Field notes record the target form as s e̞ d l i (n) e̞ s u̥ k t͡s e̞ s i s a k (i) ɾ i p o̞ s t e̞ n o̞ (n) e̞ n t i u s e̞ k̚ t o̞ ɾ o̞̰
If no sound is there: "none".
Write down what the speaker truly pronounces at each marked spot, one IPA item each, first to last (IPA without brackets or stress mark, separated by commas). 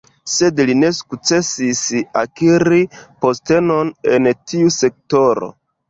n, i, n